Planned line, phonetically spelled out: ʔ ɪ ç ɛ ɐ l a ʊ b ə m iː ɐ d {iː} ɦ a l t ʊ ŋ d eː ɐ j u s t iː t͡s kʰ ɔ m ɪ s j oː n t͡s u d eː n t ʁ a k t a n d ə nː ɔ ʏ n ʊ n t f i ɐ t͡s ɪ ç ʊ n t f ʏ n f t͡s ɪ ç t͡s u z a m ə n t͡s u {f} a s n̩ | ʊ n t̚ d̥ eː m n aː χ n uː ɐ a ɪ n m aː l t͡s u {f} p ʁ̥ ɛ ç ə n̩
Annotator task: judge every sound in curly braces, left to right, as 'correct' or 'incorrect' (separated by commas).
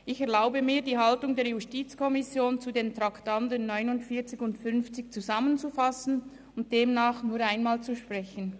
correct, correct, incorrect